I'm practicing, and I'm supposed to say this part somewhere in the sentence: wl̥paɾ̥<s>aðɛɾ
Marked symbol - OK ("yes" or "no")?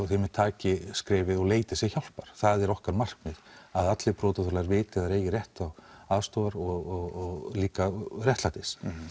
no